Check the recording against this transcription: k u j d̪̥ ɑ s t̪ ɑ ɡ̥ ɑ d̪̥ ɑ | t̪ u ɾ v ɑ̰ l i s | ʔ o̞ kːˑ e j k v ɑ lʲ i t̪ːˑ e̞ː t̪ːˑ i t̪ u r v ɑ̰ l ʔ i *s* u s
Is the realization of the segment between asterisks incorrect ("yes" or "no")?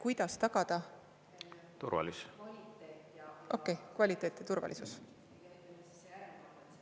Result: no